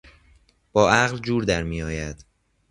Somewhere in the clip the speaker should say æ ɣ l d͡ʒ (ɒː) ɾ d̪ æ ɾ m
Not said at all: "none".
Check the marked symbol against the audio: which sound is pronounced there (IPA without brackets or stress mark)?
uː